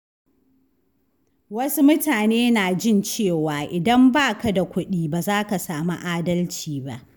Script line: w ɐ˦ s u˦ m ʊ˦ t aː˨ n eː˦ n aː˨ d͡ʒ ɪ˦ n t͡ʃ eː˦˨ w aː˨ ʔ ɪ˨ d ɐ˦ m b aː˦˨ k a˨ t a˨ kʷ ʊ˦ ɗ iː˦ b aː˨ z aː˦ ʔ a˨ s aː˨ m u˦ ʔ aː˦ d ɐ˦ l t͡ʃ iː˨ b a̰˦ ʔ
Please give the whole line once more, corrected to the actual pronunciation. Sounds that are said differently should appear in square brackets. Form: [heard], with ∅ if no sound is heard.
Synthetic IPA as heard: w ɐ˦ s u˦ m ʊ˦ t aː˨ n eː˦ n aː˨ d͡ʒ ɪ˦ n t͡ʃ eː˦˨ w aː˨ ʔ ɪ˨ d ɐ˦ m b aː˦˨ k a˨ [d] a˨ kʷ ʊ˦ ɗ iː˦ b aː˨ z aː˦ [k] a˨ s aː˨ m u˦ ʔ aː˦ d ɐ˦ l t͡ʃ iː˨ b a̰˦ ʔ